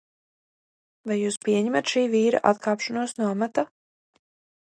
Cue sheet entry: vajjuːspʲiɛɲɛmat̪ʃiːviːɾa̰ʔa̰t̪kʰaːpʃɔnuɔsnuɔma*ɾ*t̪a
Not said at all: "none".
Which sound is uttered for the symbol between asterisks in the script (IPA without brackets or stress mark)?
none